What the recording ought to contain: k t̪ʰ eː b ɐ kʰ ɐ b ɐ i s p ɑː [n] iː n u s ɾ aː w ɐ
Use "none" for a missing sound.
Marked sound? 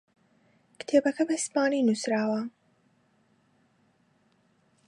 n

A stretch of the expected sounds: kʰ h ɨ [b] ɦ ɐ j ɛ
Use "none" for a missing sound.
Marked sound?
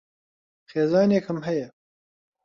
m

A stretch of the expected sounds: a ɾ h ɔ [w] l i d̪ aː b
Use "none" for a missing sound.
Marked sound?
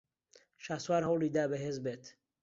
w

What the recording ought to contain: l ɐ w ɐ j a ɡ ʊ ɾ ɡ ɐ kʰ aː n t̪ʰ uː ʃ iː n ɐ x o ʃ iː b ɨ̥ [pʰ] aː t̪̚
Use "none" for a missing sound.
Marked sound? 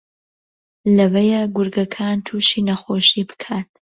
kʰ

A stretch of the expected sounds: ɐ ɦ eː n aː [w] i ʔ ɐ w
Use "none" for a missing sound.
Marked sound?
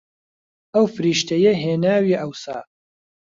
w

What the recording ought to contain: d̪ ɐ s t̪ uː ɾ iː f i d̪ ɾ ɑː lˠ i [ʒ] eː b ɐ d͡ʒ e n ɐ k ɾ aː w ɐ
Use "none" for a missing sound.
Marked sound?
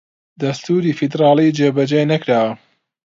d͡ʒ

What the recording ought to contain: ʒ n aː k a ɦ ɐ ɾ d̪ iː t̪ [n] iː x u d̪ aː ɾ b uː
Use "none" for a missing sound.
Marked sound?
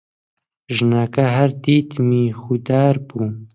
m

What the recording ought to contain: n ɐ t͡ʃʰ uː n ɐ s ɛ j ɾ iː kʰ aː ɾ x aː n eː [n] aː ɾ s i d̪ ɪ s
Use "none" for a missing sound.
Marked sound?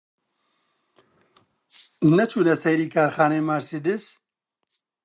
m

